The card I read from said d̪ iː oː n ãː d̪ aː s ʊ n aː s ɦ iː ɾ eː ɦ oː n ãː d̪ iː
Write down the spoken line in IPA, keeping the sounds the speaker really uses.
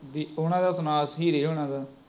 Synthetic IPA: d̪ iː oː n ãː d̪ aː s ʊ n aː s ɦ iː ɾ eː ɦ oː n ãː d̪ aː